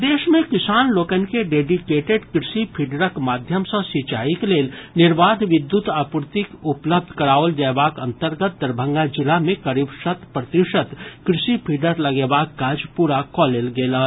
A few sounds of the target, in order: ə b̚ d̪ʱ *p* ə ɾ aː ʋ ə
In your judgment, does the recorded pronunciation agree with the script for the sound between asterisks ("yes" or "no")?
no